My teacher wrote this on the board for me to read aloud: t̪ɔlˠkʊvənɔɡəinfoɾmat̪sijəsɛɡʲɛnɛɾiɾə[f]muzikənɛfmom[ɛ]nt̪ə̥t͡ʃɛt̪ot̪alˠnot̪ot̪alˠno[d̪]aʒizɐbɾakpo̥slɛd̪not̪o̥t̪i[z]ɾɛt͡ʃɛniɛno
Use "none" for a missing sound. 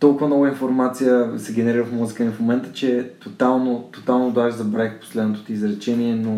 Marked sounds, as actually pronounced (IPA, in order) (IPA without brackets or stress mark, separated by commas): f, ɛ, d̪, z